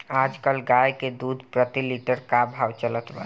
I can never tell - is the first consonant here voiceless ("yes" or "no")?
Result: no